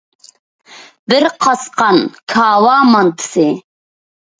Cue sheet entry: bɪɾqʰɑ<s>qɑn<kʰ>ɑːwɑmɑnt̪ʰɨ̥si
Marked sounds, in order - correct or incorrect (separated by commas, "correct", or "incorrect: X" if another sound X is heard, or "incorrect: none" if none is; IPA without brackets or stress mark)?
correct, correct